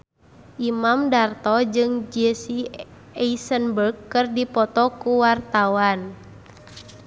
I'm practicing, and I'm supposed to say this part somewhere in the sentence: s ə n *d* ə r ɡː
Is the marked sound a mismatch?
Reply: yes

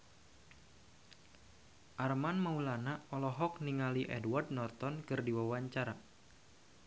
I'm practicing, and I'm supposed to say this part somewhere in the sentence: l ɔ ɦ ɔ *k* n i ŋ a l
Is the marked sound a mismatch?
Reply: no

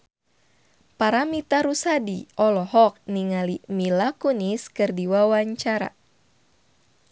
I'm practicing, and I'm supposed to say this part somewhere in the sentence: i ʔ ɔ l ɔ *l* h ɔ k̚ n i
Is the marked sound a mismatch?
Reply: yes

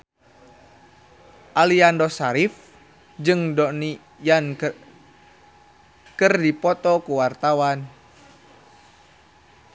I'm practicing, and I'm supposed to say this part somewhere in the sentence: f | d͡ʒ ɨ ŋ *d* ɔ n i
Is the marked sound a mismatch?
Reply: no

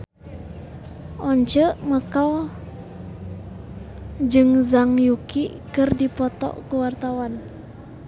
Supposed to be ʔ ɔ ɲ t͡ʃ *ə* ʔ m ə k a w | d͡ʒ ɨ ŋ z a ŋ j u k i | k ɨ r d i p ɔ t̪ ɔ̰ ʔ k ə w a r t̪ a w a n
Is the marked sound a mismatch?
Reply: no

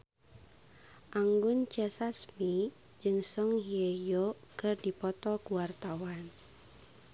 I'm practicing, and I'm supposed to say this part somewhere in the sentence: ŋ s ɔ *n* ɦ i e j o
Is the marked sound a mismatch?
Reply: yes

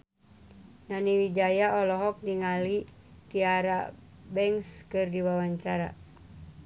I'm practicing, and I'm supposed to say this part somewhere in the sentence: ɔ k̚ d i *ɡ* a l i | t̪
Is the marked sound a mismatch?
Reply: yes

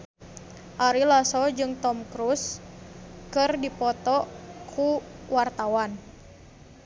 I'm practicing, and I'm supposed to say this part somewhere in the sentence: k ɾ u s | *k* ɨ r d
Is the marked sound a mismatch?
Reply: no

